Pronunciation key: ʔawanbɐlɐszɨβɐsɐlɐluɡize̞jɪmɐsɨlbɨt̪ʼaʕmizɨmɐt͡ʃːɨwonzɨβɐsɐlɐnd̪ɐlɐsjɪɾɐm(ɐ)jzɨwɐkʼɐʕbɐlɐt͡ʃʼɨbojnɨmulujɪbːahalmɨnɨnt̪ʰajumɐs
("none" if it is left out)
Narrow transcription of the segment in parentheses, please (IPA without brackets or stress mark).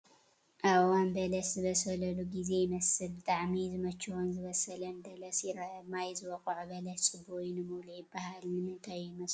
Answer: a